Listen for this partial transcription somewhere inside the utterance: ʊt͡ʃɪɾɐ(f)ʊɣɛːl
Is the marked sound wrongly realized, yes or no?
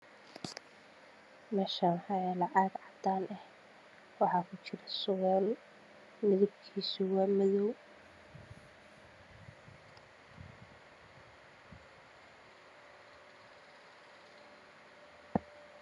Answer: yes